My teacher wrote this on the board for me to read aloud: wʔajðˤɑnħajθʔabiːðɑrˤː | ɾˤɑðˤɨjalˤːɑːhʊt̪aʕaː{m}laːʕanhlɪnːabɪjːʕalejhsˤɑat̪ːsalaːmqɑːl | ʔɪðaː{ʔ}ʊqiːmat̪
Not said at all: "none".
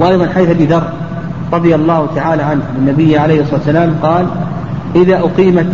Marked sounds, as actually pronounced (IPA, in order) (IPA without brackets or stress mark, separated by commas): none, ʔ